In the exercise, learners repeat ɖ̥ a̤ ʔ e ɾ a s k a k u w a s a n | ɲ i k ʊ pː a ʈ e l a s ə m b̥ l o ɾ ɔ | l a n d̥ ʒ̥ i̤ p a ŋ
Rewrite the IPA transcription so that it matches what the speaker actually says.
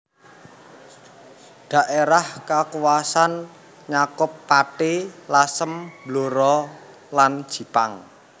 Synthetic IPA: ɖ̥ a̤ ʔ e ɾ a h k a k u w a s a n | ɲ a k ʊ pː a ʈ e l a s ə m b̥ l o ɾ ɔ | l a n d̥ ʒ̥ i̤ p a ŋ